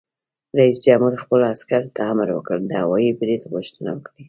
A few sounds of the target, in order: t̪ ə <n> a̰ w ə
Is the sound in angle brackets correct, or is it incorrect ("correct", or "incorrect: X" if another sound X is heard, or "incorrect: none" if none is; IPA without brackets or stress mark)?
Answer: correct